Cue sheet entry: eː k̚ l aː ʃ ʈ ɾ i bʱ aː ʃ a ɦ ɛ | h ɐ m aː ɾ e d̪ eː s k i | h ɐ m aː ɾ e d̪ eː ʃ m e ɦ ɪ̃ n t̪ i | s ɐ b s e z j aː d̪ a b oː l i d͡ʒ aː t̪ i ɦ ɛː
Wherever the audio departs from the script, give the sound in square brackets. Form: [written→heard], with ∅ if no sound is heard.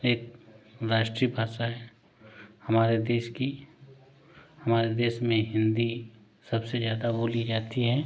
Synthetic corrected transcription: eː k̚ [l→ɾ] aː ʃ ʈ ɾ i bʱ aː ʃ a ɦ ɛ | h ɐ m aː ɾ e d̪ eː [s→ʃ] k i | h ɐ m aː ɾ e d̪ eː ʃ m [e→ẽ] ɦ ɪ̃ n [t̪→d̪] i | s ɐ b s e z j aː d̪ a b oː l i d͡ʒ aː t̪ i ɦ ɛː